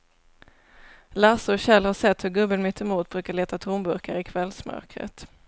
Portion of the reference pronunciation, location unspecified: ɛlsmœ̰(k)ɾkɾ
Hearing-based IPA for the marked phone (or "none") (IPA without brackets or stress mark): none